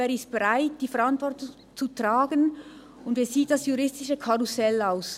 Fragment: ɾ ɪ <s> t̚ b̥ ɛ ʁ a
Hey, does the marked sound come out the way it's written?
yes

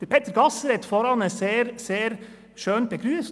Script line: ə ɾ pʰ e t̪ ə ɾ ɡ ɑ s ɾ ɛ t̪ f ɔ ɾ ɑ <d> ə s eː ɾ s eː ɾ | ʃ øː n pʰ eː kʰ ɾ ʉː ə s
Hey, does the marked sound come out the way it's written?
no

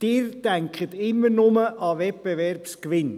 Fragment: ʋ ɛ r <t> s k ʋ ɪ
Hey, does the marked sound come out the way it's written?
no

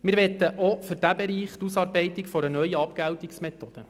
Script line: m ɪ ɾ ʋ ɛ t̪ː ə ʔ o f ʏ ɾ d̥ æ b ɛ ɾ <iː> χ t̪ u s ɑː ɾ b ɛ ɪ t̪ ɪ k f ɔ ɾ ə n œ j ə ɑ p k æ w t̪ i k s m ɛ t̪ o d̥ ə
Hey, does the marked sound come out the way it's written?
yes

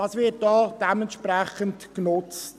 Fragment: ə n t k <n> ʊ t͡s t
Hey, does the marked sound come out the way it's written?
yes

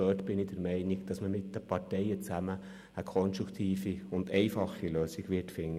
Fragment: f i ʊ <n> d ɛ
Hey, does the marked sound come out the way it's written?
yes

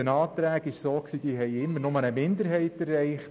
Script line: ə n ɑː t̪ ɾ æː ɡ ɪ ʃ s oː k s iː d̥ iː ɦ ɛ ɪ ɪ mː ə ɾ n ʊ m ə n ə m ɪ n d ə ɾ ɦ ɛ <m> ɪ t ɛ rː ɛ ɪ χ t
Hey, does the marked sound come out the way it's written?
no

